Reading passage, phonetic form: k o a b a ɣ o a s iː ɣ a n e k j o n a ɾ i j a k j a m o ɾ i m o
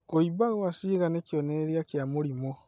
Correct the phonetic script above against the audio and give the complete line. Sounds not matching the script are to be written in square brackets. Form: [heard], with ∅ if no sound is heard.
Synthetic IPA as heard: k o [i] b a ɣ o a s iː ɣ a n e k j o n [e] ɾ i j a k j a m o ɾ i m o